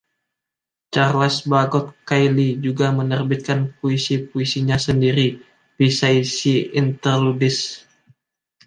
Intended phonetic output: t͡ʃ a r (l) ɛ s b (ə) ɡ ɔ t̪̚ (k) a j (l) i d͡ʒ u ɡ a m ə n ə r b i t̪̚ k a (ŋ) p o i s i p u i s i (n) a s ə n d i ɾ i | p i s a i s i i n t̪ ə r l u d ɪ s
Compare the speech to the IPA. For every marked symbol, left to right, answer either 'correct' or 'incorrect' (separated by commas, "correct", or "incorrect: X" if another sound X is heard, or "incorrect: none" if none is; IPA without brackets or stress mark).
correct, incorrect: a, correct, correct, incorrect: n, incorrect: ɲ